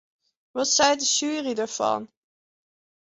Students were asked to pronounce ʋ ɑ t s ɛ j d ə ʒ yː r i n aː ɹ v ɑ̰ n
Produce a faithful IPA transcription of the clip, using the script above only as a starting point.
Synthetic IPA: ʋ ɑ t s ɛ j d ə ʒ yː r i d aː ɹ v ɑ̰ n